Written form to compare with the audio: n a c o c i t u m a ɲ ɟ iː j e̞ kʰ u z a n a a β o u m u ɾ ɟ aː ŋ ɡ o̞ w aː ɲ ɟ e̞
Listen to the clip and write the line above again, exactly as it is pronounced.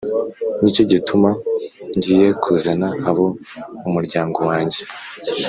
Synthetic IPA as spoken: n i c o ɟ i t u m a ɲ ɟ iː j e̞ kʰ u z a n a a β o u m u ɾ ɟ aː ŋ ɡ o̞ w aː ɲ ɟ e̞